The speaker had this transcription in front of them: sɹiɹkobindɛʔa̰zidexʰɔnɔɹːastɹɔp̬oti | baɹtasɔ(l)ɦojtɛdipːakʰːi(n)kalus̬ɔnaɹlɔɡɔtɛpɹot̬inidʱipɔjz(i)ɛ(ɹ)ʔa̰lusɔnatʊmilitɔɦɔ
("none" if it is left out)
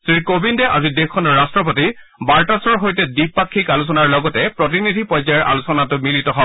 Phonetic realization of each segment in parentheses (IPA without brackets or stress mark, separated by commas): ɹ, none, a, ɹ